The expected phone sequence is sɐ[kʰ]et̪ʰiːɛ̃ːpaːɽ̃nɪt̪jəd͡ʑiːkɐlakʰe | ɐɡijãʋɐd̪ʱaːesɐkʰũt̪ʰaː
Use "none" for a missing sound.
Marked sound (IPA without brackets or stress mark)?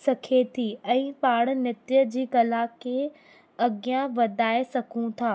kʰ